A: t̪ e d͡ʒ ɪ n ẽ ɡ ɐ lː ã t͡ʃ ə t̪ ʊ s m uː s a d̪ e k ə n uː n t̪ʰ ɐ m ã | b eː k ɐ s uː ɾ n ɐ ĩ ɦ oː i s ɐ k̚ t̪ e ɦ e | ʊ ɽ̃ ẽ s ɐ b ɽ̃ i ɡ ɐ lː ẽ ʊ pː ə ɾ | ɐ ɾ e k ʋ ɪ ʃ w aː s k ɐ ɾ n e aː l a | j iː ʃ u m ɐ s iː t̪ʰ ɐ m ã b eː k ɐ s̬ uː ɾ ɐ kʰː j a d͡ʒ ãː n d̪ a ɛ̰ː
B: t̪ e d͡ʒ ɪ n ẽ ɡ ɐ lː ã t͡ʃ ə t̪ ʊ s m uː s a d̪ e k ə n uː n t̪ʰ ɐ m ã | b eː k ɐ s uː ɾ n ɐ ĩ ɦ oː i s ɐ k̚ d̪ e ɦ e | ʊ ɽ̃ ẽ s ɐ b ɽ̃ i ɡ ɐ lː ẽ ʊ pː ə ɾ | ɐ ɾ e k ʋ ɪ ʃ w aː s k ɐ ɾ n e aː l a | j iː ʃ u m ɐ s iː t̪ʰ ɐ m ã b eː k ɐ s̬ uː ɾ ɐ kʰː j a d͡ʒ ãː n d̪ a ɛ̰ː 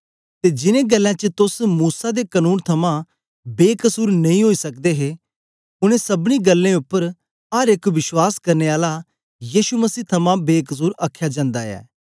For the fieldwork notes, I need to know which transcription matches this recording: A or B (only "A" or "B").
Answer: B